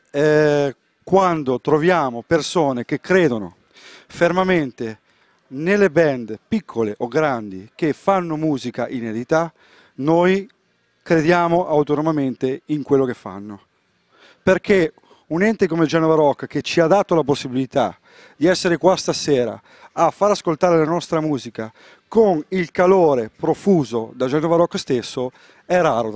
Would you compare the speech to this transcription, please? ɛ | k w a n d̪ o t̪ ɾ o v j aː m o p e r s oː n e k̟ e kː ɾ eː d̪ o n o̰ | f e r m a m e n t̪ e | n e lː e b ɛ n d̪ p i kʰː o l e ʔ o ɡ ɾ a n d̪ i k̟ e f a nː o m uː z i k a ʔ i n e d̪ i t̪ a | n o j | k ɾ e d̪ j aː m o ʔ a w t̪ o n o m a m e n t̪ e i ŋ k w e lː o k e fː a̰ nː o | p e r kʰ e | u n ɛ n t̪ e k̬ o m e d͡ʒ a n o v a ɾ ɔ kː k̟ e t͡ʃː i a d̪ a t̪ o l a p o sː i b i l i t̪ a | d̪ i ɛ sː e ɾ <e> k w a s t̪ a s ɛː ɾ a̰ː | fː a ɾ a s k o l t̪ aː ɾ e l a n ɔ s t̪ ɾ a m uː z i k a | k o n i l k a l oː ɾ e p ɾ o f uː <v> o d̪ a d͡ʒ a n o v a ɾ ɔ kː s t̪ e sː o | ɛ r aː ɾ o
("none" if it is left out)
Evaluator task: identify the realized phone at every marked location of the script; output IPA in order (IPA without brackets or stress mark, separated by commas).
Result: e, z